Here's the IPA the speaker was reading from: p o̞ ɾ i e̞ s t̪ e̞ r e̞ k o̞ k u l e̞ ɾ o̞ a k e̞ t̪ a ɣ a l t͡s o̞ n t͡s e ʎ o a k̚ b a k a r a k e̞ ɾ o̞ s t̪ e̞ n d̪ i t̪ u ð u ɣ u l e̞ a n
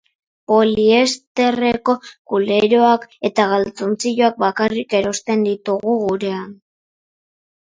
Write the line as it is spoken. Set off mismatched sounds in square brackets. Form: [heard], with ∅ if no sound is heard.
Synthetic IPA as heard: p o̞ [l] i e̞ s t̪ e̞ r e̞ k o̞ k u l e̞ ɾ o̞ a k e̞ t̪ a ɣ a l t͡s o̞ n t͡s [i] ʎ o a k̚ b a k a r [i] k e̞ ɾ o̞ s t̪ e̞ n d̪ i t̪ u [ɣ] u ɣ u [ɾ] e̞ a n